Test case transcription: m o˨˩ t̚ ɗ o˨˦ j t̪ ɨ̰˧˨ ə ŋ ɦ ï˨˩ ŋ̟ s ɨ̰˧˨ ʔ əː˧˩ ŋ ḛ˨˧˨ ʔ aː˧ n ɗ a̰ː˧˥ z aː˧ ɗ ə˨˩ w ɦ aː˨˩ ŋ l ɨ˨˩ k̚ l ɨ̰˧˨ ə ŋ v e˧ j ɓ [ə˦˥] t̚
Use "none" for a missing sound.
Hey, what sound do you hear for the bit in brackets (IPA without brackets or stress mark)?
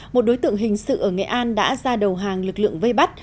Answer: a˦˥